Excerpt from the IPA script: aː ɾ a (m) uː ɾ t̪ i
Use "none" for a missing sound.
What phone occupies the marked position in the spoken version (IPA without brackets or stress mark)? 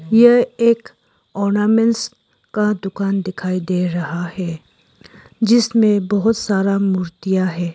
m